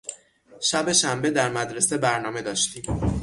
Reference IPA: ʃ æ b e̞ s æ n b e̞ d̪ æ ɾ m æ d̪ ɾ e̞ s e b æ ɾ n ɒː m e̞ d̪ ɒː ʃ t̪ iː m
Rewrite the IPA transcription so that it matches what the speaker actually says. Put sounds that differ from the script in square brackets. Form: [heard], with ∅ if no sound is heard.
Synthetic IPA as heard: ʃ æ b e̞ [ʃ] æ [m] b e̞ d̪ æ ɾ m æ d̪ ɾ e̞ s e b æ ɾ n ɒː m e̞ d̪ ɒː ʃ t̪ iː m